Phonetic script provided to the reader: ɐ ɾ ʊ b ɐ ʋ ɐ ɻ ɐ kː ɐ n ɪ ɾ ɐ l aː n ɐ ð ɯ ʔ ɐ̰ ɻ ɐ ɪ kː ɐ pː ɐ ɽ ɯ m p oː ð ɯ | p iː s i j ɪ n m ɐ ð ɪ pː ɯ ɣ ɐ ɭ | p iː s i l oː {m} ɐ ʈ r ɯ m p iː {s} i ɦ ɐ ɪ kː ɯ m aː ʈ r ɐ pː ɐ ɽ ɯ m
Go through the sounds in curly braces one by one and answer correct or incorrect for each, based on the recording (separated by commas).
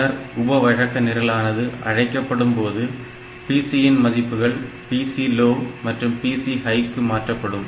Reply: correct, correct